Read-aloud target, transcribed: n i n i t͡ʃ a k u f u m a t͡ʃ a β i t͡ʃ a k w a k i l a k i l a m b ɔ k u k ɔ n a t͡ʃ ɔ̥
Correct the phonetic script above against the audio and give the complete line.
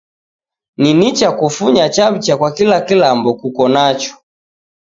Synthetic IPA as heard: n i n i t͡ʃ a k u f u ɲ a t͡ʃ a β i t͡ʃ a k w a k i l a k i l a m b ɔ k u k ɔ n a t͡ʃ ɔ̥